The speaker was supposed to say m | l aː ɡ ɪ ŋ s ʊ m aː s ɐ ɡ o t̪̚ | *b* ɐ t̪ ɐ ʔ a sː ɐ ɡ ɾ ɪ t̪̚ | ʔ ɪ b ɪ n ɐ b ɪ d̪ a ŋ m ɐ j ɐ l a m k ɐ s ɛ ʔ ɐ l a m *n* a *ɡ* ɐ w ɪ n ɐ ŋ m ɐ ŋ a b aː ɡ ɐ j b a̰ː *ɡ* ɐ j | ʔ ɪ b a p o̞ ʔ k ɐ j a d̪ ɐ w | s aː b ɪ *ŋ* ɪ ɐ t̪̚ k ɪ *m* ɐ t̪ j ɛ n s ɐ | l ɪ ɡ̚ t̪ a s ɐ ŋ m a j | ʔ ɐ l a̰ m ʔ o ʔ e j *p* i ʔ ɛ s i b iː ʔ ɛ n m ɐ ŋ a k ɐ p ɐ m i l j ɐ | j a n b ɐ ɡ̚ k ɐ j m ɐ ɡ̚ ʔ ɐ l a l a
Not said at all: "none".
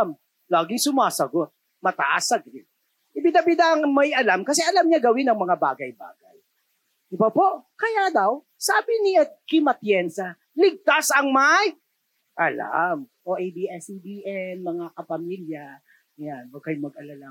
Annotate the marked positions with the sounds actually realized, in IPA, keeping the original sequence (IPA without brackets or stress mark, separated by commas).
m, ɲ, ɡ, ɡ, n, m, b